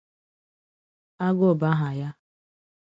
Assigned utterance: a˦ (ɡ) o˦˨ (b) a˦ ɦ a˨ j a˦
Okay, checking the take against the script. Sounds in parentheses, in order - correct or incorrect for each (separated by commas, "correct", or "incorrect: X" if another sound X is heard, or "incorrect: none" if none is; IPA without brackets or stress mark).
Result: correct, correct